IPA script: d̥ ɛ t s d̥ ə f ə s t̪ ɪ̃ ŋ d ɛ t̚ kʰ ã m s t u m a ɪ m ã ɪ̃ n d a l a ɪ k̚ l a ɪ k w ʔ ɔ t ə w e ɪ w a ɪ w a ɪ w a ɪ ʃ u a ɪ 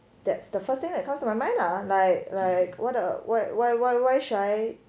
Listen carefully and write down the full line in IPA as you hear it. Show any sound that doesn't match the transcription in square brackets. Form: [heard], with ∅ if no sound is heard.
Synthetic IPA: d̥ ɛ t s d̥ ə f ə s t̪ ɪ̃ ŋ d ɛ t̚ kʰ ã m s t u m a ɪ m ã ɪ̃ n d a l a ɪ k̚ l a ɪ k w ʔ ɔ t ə w [a] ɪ w a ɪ w a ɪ w a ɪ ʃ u a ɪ